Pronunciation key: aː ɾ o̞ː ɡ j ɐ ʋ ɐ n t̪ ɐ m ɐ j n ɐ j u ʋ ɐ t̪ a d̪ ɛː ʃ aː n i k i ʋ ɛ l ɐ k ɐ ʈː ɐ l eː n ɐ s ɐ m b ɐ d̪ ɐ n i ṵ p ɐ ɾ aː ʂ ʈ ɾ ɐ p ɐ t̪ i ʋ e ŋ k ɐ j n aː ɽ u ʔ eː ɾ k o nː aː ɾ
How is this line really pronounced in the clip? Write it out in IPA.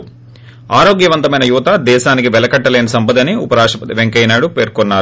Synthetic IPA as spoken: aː ɾ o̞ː ɡ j ɐ ʋ ɐ n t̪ ɐ m ɐ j n ɐ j u ʋ ɐ t̪ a d̪ ɛː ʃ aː n i k i ʋ ɛ l ɐ k ɐ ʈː ɐ l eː n ɐ s ɐ m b ɐ d̪ ɐ n i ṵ p ɐ ɾ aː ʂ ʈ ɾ ɐ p ɐ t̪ i ʋ e ŋ k ɐ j n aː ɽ u p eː ɾ k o nː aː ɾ

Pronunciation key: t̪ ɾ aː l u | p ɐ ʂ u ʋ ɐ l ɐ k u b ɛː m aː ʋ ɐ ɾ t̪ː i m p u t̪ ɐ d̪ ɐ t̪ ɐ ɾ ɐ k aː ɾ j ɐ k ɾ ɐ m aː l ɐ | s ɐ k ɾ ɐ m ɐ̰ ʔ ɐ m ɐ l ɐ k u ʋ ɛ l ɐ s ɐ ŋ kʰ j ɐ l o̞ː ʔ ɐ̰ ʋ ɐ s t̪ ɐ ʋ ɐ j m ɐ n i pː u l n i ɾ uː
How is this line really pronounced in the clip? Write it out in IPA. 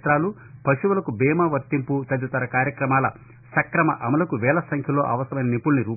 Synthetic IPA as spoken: t̪ ɾ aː l u | p ɐ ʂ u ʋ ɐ l ɐ k u b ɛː m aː ʋ ɐ ɾ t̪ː i m p u t̪ ɐ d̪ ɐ t̪ ɐ ɾ ɐ k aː ɾ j ɐ k ɾ ɐ m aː l ɐ | s ɐ k ɾ ɐ m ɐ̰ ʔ ɐ m ɐ l ɐ k u ʋ ɛː l ɐ s ɐ ŋ kʰ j ɐ l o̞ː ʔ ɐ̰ ʋ ɐ s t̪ ɐ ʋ ɐ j n ɐ n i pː u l n i ɾ uː

